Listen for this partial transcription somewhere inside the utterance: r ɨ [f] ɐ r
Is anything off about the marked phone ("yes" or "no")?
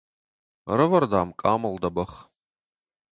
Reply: yes